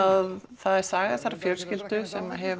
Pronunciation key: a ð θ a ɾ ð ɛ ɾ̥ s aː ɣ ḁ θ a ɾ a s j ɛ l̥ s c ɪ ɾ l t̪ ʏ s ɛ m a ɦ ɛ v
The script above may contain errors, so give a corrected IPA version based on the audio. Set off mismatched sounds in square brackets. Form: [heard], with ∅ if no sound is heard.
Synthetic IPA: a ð θ a [∅] ð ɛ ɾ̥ s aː ɣ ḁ θ a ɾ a [f] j [œ] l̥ s c ɪ [∅] l t̪ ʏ s ɛ m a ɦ ɛ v